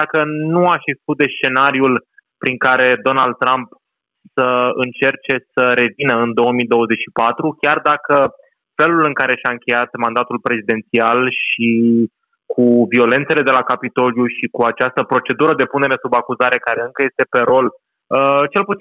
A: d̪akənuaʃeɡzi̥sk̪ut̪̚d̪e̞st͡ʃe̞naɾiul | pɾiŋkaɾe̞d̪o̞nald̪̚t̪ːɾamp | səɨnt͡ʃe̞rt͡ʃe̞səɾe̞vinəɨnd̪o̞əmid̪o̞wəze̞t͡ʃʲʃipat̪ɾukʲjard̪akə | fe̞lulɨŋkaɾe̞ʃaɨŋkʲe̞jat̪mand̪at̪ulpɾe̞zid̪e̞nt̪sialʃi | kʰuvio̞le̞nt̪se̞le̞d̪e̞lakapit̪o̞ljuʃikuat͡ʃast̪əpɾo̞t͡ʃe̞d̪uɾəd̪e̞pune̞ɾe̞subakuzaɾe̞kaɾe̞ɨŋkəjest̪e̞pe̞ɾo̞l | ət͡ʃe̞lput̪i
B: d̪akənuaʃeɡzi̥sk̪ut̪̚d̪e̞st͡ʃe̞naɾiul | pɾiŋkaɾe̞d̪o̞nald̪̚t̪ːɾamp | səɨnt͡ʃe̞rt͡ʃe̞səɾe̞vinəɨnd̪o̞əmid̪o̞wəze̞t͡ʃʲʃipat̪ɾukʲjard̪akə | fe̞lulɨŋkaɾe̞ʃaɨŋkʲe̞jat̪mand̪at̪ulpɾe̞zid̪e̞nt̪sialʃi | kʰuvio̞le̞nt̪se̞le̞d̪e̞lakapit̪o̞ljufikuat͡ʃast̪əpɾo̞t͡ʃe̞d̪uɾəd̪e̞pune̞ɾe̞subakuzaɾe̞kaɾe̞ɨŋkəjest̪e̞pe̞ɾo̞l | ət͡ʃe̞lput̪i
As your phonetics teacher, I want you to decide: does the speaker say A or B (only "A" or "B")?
A